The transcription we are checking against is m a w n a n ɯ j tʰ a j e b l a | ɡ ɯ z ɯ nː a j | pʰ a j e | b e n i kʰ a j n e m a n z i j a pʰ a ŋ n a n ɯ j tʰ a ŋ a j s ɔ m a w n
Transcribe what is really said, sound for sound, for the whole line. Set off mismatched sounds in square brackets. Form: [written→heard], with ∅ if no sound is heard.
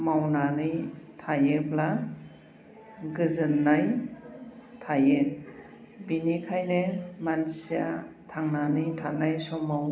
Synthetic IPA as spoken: m a w n a n ɯ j tʰ a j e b l a | ɡ ɯ z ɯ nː a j | [pʰ→tʰ] a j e | b [e→i] n i kʰ a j n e m a n [z→s] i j a [pʰ→tʰ] a ŋ n a n ɯ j tʰ a [ŋ→n] a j s ɔ m a w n